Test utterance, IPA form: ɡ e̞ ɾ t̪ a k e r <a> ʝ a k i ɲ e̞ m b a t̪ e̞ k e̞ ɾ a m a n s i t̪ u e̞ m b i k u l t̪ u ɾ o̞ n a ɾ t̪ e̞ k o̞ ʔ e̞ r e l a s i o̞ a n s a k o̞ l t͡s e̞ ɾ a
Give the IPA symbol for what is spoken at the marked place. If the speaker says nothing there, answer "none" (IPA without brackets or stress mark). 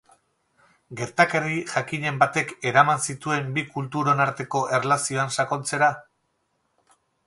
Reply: i